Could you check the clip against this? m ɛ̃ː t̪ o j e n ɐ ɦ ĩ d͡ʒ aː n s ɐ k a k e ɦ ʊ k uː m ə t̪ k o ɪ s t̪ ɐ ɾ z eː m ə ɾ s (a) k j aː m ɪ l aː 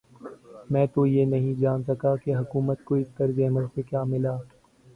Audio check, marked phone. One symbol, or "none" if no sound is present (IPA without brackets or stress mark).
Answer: e